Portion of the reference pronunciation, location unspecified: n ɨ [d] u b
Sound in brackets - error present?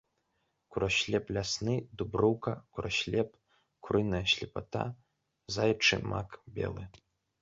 no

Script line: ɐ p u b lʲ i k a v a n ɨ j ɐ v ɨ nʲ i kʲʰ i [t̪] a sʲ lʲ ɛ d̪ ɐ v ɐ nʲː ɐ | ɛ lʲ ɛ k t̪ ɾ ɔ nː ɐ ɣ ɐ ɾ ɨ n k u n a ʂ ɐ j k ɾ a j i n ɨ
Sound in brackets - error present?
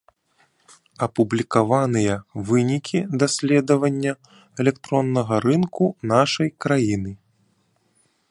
yes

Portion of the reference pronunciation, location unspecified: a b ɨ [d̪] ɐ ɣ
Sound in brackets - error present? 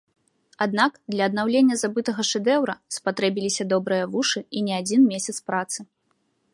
yes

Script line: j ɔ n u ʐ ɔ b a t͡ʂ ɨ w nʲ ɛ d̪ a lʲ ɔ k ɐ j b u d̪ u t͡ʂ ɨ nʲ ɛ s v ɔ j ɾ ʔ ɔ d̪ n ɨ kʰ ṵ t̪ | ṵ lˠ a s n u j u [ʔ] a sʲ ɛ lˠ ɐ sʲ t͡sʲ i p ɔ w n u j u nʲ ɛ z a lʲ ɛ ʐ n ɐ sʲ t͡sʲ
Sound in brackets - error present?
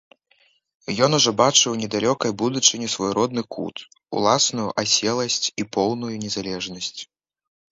no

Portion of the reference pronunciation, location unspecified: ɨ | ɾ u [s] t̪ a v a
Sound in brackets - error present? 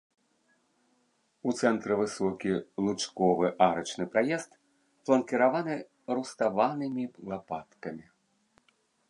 no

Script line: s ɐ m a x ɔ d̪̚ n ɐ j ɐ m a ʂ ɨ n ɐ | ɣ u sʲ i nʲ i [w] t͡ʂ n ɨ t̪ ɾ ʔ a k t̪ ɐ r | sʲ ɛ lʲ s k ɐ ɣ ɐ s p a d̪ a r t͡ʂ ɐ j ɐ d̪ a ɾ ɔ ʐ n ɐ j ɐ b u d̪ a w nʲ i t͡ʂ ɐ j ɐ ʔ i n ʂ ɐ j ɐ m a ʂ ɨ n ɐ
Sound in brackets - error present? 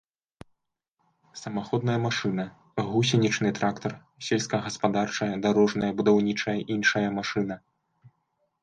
yes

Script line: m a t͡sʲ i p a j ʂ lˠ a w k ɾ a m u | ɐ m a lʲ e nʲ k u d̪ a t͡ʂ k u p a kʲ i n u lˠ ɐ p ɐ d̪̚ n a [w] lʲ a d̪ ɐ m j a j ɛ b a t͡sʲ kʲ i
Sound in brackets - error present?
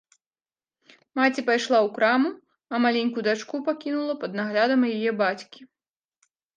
yes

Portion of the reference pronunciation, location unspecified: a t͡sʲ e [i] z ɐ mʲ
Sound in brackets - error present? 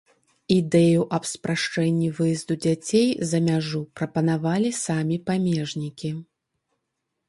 yes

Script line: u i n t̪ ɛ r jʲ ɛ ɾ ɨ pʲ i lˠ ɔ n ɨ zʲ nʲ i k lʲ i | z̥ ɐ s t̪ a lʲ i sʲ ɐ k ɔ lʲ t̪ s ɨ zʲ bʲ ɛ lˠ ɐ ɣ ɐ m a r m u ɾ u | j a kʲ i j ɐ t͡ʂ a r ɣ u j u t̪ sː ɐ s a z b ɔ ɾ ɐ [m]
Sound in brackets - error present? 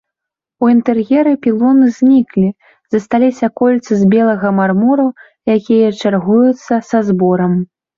no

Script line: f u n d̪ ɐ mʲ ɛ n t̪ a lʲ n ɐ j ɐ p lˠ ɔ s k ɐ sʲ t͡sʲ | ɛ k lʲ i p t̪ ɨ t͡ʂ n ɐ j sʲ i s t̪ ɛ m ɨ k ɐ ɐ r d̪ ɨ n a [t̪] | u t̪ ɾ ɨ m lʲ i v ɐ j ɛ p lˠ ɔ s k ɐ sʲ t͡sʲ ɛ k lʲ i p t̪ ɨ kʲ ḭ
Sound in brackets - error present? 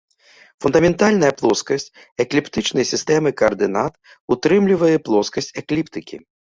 no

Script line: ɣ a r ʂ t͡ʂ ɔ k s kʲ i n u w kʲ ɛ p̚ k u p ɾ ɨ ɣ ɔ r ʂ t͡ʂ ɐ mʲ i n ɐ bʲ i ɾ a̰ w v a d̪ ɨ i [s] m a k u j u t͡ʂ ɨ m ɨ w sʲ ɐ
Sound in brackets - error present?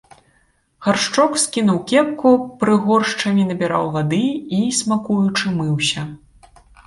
no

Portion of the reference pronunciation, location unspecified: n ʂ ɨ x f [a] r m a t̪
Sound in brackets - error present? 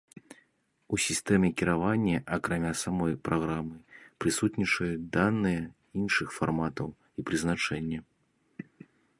no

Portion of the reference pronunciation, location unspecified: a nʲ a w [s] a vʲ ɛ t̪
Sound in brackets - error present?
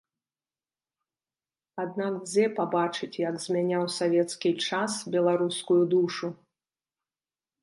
no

